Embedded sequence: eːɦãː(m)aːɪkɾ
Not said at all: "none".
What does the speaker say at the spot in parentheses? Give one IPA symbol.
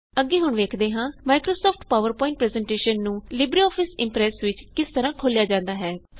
m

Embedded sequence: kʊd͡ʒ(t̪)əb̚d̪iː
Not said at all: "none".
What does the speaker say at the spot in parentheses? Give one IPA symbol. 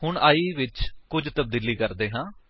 t̪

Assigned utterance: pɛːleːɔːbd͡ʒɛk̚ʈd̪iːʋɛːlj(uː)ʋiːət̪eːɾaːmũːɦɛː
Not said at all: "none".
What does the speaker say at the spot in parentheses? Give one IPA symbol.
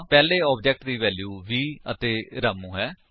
uː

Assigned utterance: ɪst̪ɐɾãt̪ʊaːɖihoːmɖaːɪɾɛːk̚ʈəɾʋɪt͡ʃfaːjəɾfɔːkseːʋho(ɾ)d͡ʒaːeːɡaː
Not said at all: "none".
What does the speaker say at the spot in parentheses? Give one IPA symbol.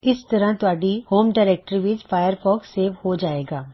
none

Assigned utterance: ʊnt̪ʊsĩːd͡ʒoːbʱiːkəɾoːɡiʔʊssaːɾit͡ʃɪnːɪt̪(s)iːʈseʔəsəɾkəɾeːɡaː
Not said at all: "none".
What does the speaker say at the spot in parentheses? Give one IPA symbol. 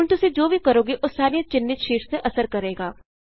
ʃ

